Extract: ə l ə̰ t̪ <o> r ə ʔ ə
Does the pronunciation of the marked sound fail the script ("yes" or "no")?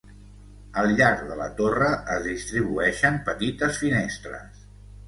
no